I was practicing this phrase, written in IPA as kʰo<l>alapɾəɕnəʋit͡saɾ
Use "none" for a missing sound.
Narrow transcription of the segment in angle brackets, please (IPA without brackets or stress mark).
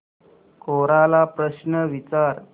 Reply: ɾ